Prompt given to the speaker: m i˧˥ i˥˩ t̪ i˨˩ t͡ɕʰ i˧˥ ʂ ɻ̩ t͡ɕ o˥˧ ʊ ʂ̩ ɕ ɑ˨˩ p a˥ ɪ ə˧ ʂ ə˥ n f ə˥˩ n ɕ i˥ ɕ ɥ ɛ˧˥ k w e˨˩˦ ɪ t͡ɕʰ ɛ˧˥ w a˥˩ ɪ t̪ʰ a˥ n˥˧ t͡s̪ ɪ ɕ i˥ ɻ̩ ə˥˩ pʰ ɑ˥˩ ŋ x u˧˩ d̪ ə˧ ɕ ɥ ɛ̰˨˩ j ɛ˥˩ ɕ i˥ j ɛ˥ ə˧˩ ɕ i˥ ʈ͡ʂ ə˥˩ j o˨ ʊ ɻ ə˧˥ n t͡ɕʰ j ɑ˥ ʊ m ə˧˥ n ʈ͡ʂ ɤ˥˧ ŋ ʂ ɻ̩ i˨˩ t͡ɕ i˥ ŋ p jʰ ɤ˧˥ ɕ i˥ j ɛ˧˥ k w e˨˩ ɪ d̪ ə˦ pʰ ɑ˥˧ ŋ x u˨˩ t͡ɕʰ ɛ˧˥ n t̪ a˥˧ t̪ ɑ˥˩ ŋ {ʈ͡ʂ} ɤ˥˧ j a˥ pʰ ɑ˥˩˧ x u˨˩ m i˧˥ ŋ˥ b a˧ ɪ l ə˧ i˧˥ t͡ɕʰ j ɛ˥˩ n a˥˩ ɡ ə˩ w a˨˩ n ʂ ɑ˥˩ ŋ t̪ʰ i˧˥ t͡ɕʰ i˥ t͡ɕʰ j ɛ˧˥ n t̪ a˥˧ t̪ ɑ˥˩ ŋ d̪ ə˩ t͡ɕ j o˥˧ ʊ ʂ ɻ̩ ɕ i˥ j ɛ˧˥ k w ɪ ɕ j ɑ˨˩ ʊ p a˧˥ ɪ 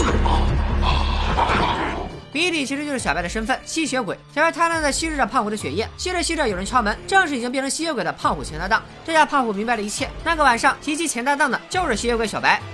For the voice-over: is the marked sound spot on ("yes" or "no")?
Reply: yes